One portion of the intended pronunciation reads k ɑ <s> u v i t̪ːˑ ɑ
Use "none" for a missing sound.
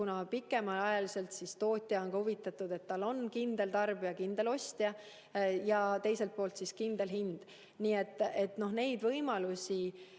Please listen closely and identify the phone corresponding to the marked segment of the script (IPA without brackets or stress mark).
h